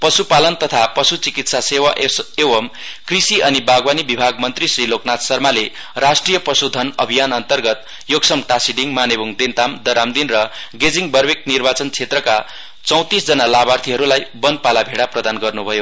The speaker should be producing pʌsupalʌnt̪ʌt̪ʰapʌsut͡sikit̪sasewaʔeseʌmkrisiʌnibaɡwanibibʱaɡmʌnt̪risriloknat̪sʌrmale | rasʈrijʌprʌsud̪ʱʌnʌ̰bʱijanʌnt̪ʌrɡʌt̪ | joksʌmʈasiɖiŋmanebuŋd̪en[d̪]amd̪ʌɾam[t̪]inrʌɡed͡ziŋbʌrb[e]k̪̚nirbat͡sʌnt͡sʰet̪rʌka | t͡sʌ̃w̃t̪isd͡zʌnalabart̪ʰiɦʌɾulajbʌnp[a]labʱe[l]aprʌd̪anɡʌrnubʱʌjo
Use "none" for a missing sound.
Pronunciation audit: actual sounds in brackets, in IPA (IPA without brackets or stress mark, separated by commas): t̪, d̪, e, a, ɽ